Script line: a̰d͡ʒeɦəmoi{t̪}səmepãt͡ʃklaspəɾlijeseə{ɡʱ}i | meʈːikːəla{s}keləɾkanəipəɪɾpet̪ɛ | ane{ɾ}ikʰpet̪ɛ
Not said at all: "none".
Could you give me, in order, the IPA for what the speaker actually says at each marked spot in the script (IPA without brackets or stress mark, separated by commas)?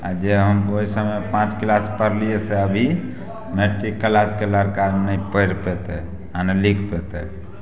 none, bʱ, s, l